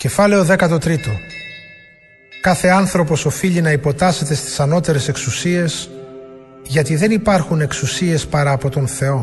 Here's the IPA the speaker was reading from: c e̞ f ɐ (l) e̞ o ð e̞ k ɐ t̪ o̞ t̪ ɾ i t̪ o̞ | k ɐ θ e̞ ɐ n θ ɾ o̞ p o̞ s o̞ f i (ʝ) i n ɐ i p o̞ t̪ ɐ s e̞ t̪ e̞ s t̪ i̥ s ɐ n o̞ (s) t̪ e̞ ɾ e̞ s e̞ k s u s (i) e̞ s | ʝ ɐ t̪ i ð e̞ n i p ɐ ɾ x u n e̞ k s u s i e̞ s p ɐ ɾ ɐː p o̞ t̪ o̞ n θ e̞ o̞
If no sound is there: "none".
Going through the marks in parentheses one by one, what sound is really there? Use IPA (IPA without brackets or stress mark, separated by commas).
l, ʎ, none, i